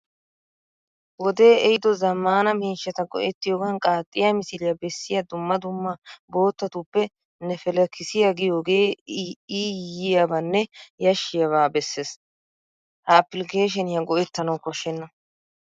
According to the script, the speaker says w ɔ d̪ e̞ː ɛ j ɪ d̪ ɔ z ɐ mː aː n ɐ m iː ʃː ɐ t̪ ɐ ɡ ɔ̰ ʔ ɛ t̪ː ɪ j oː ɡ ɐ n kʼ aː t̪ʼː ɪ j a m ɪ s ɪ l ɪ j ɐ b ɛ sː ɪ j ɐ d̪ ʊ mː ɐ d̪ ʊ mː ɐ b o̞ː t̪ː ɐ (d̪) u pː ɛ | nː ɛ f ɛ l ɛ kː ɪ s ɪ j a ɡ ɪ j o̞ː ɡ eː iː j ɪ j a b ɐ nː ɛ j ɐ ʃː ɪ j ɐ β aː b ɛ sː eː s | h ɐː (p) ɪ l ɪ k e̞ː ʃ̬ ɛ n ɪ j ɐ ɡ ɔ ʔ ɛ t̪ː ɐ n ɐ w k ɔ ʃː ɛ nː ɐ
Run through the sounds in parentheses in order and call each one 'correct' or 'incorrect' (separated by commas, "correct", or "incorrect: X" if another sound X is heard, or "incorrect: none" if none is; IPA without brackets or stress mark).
incorrect: t̪, correct